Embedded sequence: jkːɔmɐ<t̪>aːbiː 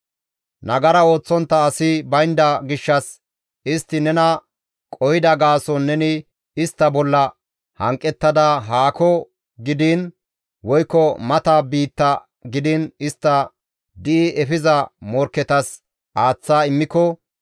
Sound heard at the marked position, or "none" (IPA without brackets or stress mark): t̪